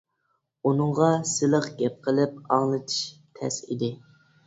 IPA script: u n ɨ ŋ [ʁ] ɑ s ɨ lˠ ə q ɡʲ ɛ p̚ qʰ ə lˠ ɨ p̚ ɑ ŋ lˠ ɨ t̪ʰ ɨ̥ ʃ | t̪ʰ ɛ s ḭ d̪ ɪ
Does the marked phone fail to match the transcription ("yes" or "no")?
no